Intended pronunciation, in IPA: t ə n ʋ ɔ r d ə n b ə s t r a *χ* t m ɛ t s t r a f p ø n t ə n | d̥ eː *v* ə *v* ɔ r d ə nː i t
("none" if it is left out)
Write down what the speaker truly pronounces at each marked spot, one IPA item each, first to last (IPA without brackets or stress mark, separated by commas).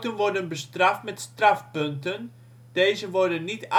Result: f, z, ʋ